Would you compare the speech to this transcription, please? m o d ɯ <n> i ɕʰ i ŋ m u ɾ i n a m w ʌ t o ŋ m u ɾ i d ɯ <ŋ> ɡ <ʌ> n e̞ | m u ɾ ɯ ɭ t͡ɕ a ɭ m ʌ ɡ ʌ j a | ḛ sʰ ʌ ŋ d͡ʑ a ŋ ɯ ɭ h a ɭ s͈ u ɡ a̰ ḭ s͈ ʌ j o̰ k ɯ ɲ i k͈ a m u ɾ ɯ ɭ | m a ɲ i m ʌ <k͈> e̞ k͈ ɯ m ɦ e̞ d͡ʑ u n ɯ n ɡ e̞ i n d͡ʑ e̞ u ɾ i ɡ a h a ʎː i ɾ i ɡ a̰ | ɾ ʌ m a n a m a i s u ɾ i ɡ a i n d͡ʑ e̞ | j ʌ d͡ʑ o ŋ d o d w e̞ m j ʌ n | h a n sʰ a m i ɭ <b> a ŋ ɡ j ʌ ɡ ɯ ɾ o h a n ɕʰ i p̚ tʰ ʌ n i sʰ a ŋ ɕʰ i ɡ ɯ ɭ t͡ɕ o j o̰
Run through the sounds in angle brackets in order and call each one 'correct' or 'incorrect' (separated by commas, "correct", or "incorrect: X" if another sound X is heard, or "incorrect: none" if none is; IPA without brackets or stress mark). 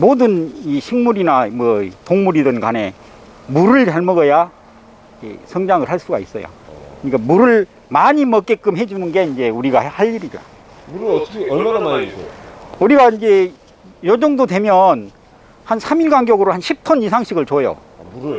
correct, incorrect: n, incorrect: a, correct, incorrect: ɡ